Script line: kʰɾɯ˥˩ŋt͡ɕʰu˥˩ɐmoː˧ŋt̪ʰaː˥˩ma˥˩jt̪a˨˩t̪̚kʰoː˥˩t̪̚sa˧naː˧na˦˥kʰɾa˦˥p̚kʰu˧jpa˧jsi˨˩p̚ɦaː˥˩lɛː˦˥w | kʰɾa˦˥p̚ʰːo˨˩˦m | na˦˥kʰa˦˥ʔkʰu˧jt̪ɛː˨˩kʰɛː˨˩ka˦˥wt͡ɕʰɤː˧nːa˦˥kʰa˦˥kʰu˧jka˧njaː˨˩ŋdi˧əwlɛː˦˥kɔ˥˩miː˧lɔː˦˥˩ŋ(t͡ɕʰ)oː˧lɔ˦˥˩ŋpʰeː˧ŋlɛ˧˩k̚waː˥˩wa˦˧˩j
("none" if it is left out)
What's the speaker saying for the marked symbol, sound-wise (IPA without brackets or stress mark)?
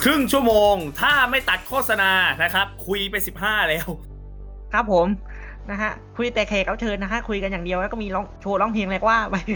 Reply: t͡ɕʰ